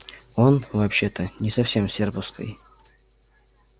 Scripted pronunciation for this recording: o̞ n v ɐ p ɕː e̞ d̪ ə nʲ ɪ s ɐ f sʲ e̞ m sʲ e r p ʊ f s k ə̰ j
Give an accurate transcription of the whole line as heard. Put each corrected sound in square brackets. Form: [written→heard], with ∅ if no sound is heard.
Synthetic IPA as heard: o̞ n v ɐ p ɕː e̞ [d̪→t̪] ə nʲ ɪ s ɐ f sʲ e̞ m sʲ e r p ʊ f s k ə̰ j